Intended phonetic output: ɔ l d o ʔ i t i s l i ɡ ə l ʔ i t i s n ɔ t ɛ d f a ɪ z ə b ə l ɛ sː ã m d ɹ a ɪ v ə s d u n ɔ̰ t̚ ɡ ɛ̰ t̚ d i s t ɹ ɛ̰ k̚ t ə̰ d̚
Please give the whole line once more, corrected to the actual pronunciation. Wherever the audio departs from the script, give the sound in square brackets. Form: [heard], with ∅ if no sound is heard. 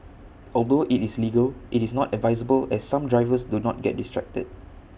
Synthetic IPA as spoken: ɔ l d o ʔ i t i s l i ɡ ə l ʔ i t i s n ɔ t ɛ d [v] a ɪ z ə b ə l ɛ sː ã m d ɹ a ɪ v ə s d u n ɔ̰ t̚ ɡ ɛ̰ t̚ d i s t ɹ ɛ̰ k̚ t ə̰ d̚